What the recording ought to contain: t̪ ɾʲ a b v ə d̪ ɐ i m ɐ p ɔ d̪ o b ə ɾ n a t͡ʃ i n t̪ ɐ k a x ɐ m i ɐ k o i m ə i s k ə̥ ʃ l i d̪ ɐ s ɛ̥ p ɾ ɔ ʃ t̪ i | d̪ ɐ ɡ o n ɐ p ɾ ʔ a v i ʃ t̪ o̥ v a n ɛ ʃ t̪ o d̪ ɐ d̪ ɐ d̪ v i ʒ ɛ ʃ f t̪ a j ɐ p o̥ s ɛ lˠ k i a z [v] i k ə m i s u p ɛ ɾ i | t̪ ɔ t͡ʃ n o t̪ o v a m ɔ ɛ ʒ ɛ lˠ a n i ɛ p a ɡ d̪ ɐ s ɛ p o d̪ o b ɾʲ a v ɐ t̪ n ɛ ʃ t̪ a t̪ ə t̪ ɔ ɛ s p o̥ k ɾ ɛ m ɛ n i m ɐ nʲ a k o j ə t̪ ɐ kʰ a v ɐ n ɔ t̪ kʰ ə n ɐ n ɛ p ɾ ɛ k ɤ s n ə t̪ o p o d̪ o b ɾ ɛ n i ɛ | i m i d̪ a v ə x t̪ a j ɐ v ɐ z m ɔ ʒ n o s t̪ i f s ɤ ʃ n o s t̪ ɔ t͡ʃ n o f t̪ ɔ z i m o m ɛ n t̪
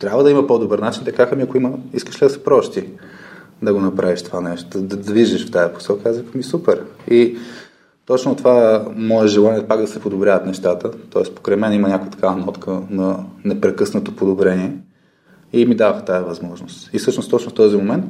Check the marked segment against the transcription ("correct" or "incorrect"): correct